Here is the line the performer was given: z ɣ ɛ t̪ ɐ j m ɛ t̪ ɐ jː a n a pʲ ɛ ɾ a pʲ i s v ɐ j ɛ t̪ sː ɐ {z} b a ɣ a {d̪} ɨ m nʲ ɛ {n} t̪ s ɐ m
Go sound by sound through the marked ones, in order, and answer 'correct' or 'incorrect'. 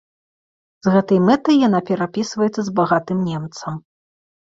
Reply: correct, incorrect, incorrect

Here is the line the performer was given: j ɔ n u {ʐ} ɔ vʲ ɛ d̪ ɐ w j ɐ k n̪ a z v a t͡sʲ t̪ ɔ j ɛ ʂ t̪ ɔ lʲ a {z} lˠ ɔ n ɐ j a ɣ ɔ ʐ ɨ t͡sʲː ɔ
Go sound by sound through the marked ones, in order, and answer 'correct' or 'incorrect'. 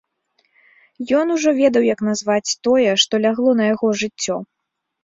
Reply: correct, incorrect

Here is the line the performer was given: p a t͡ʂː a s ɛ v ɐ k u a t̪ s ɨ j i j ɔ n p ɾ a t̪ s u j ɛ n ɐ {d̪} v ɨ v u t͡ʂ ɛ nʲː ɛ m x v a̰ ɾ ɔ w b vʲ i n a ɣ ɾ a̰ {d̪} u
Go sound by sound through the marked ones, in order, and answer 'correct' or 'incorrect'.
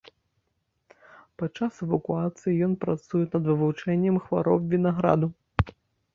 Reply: correct, correct

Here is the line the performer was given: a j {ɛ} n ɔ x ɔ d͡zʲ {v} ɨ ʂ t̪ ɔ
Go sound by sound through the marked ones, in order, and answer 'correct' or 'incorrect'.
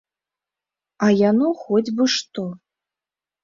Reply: incorrect, incorrect

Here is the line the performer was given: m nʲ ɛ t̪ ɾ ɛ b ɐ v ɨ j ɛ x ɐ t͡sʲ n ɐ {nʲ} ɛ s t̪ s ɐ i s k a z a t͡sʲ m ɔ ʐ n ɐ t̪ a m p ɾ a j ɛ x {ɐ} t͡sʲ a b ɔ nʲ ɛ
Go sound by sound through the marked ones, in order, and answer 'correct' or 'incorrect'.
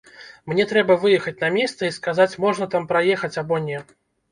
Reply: incorrect, correct

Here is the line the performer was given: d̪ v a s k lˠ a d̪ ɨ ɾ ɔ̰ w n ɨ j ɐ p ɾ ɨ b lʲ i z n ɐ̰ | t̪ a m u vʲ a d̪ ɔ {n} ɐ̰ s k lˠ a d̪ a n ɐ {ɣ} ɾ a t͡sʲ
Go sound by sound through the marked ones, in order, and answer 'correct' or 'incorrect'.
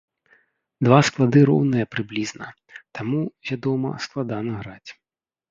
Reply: incorrect, correct

